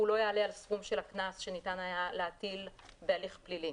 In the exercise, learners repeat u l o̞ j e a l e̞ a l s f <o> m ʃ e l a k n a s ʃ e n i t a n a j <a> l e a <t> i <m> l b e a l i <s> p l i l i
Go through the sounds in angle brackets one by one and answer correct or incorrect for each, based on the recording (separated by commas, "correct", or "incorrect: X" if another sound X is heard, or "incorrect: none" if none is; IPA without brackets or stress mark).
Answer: incorrect: u, correct, correct, incorrect: none, incorrect: χ